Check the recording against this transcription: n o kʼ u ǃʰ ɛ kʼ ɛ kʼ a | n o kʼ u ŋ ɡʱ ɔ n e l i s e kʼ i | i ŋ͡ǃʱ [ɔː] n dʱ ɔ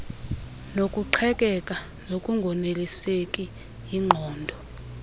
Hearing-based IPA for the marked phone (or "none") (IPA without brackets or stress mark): ɔː